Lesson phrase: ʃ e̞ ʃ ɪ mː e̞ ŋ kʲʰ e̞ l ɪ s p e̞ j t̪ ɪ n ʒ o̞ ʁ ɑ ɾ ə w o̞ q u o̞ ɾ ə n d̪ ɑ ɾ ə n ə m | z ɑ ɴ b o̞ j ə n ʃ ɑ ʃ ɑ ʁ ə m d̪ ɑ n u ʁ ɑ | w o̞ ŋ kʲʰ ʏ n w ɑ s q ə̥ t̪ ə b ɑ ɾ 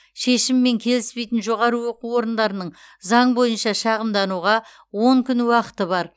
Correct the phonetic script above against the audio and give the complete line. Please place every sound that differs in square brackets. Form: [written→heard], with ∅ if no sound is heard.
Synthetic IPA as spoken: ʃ e̞ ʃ ɪ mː e̞ ŋ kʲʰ e̞ l ɪ s p e̞ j t̪ ɪ n ʒ o̞ ʁ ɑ ɾ ə w o̞ q u o̞ ɾ ə n d̪ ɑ ɾ ə n ə [m→ɴ] | z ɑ ɴ b o̞ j ə n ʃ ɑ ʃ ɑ ʁ ə m d̪ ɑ n u ʁ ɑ | w o̞ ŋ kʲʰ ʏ n w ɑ [s→∅] q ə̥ t̪ ə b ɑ ɾ